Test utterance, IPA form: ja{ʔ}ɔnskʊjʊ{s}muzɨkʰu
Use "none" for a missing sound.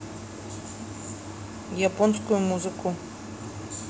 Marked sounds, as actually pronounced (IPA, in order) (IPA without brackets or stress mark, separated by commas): p, none